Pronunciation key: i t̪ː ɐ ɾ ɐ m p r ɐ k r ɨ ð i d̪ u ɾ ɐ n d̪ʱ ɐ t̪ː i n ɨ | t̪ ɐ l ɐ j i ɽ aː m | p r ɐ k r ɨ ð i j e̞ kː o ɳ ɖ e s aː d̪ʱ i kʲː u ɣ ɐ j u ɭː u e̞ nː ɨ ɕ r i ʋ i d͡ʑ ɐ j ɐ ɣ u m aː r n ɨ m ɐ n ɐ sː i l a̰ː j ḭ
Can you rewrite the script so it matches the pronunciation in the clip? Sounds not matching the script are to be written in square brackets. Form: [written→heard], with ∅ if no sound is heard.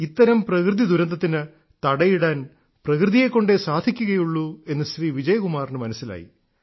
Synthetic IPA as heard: i t̪ː ɐ ɾ ɐ m p r ɐ k r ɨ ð i d̪ u ɾ ɐ n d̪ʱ ɐ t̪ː i n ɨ | t̪ ɐ [l→ɽ] ɐ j i ɽ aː [m→n] | p r ɐ k r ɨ ð i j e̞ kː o ɳ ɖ e s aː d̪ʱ i kʲː u ɣ ɐ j u ɭː u e̞ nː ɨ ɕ r [i→iː] ʋ i d͡ʑ ɐ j ɐ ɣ u m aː r n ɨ m ɐ n ɐ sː i l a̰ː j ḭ